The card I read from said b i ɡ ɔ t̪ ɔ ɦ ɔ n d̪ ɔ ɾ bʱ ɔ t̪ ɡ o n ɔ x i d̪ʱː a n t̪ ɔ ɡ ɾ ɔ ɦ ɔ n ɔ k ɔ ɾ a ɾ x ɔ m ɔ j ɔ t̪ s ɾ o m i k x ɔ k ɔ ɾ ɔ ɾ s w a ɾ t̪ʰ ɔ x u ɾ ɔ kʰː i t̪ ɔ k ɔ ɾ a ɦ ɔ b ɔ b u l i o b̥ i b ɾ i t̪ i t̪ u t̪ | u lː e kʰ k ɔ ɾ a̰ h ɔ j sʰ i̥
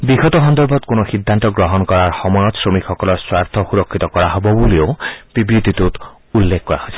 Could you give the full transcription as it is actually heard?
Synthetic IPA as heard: b i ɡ ɔ t̪ ɔ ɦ ɔ n d̪ ɔ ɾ bʱ ɔ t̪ k o n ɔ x i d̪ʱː a n t̪ ɔ ɡ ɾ ɔ ɦ ɔ n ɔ k ɔ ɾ a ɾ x ɔ m ɔ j ɔ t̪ s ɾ o m i k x ɔ k ɔ l ɔ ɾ s w a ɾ t̪ʰ ɔ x u ɾ ɔ kʰː i t̪ ɔ k ɔ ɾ a ɦ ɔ b ɔ b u l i o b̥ i b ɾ i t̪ i t̪ u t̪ | u lː e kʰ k ɔ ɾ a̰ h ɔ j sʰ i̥